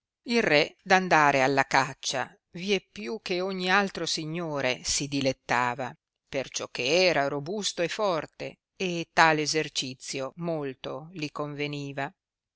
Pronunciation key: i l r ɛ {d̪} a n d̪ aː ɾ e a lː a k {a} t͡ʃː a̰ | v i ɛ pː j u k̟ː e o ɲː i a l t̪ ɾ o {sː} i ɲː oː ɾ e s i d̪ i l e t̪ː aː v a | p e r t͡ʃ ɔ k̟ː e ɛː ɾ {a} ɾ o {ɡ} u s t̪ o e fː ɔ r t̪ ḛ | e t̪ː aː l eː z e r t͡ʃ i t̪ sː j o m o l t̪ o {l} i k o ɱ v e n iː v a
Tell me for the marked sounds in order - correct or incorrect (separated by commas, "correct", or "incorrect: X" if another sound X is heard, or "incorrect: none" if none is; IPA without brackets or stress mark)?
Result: correct, correct, incorrect: s, correct, incorrect: b, correct